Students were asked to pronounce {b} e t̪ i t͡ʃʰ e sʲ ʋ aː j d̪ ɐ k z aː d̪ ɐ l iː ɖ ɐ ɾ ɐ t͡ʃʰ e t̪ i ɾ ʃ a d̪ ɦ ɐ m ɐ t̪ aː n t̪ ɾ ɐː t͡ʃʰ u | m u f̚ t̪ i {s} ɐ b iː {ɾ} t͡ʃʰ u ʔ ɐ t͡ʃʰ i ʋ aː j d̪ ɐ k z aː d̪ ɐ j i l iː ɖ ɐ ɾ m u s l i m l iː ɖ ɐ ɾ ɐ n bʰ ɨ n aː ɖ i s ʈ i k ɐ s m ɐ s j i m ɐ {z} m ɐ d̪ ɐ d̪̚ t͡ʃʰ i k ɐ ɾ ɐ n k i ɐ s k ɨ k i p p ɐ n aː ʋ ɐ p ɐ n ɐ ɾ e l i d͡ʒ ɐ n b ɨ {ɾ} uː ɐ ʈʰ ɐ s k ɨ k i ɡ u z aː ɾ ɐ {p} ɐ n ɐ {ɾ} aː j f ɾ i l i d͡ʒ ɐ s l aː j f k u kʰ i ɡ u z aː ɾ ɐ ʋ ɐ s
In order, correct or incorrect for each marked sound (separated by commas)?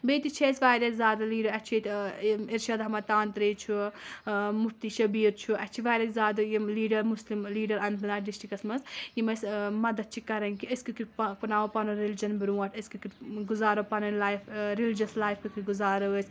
correct, incorrect, correct, incorrect, correct, correct, incorrect